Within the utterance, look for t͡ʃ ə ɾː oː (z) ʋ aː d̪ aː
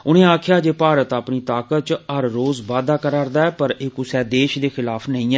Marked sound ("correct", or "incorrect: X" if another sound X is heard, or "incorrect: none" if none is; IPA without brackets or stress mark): correct